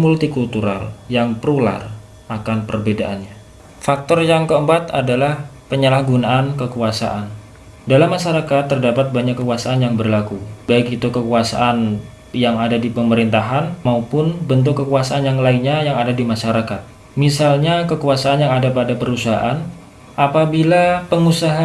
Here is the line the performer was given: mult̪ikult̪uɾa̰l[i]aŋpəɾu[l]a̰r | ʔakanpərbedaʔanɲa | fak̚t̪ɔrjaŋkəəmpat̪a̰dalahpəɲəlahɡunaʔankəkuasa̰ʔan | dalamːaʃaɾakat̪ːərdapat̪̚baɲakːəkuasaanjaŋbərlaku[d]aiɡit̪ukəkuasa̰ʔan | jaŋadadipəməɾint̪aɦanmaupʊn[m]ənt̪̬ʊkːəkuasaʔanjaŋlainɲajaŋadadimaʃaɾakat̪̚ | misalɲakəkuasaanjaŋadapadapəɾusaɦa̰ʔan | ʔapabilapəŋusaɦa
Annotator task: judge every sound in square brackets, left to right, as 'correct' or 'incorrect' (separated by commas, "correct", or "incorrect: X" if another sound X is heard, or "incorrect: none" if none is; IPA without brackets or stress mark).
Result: incorrect: j, correct, incorrect: b, incorrect: b